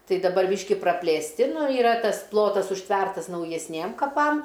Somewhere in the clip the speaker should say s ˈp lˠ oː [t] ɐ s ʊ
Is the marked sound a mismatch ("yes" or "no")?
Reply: no